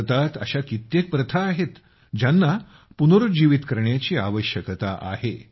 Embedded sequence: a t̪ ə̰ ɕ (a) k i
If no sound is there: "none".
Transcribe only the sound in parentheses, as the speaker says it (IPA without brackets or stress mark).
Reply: a